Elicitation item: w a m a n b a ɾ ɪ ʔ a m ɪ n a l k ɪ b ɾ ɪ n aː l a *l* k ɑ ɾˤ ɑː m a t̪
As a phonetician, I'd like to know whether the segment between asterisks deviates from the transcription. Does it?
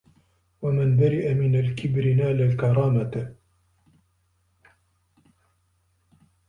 no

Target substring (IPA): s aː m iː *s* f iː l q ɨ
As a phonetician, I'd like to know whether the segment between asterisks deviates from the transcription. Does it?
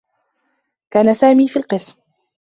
yes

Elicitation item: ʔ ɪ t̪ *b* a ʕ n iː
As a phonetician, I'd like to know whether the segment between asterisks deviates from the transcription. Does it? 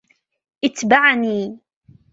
no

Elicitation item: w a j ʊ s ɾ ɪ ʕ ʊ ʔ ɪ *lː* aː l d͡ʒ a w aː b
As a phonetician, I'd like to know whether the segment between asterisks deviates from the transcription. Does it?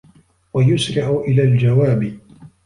yes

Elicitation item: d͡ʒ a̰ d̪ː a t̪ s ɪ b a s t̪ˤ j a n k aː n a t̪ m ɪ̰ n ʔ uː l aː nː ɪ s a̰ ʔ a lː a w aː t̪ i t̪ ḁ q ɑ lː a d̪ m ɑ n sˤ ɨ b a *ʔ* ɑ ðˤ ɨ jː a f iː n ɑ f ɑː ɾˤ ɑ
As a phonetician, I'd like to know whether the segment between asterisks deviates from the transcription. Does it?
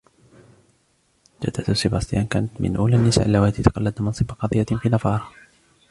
yes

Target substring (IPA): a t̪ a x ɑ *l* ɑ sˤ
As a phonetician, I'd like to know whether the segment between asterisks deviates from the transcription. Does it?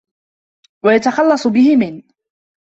yes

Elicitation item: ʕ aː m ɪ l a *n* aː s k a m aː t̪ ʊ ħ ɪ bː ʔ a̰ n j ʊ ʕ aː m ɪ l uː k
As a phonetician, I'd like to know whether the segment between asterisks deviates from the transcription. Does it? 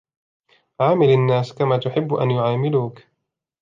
yes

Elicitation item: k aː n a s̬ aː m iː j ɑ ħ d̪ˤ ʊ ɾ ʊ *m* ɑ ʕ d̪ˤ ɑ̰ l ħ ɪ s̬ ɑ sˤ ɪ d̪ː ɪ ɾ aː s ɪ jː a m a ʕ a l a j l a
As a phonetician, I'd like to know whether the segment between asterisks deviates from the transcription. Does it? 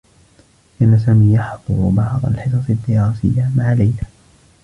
yes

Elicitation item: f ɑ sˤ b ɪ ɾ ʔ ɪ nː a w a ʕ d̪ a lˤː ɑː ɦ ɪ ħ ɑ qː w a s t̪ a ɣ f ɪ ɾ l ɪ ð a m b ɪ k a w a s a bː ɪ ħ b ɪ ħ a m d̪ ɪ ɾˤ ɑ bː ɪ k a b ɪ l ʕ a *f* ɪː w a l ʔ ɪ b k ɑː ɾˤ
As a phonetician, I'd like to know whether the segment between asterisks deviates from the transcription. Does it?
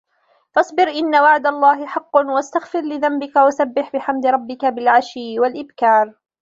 yes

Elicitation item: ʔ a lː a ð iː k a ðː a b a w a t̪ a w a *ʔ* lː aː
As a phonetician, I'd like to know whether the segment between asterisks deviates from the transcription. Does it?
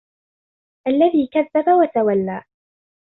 yes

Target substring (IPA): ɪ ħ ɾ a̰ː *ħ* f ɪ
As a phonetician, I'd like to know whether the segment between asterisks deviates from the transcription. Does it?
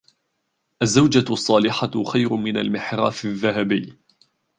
yes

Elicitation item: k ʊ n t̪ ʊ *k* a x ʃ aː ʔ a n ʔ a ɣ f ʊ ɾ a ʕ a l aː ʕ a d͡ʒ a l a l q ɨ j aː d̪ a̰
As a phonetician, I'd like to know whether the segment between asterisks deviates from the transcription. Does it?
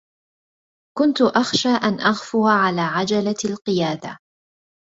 yes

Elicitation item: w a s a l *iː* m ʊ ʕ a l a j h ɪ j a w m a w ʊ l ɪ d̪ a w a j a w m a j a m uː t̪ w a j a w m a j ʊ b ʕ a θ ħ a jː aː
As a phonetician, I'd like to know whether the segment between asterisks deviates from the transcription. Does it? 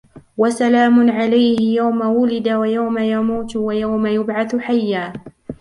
yes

